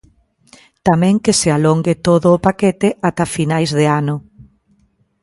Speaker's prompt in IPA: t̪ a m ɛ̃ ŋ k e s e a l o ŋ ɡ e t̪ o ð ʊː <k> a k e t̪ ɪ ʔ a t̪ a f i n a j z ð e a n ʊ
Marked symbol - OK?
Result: no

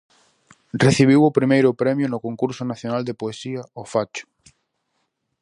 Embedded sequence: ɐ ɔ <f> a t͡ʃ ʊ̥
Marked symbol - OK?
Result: yes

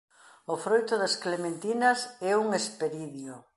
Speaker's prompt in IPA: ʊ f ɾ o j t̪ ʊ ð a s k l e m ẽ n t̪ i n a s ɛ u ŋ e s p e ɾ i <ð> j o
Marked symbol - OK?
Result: yes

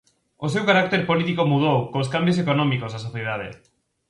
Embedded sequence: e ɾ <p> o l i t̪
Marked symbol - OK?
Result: yes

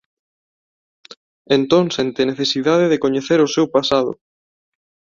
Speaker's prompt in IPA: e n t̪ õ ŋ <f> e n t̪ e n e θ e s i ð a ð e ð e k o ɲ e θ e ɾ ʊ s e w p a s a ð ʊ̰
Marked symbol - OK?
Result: no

